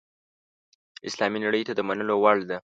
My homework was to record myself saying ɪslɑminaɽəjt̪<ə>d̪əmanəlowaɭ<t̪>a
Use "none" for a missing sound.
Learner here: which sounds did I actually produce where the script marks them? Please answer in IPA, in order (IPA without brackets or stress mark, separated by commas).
a, d̪